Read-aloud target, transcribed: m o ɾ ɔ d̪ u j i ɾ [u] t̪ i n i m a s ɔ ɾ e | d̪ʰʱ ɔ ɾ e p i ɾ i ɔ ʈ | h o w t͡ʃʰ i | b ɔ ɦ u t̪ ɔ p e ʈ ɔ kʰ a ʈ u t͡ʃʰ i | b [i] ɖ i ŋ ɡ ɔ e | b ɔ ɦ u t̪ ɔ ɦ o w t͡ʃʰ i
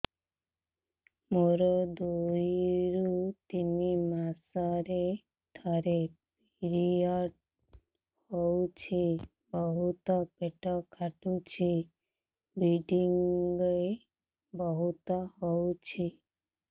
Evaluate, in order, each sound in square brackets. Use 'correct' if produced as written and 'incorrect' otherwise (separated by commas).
correct, correct